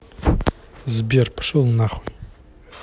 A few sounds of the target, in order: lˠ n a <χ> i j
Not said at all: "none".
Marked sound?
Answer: χ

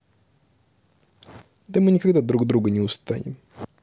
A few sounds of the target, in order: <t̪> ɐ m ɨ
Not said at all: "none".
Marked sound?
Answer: d̪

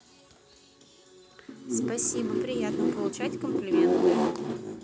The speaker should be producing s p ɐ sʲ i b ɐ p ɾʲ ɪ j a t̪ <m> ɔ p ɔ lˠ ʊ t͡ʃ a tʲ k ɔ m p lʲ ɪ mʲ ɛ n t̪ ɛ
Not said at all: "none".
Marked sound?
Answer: n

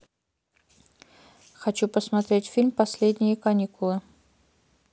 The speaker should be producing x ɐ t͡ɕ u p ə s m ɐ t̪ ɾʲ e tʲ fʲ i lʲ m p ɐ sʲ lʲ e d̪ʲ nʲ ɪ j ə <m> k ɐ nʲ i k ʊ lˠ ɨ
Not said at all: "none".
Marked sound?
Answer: none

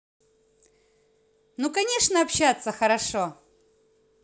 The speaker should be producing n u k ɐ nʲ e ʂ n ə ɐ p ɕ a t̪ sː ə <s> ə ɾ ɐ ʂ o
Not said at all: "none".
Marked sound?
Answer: x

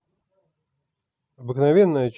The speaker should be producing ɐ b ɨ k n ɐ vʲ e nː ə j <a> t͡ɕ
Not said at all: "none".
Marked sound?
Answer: ə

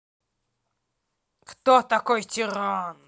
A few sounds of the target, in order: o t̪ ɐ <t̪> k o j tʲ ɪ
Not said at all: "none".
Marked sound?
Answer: none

